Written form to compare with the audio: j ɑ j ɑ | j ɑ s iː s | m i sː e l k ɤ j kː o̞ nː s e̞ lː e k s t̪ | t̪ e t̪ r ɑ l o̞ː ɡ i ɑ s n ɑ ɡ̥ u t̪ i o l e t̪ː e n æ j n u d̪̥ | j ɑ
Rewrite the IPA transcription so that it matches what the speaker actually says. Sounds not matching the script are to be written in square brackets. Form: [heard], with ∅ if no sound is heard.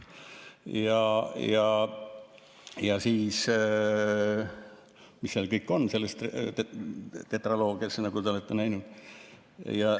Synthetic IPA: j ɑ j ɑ | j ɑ s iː s | m i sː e l k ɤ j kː o̞ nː s e̞ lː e [∅] s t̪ | t̪ e t̪ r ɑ l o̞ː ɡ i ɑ s n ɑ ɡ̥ u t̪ [e] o l e t̪ː e n æ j n u d̪̥ | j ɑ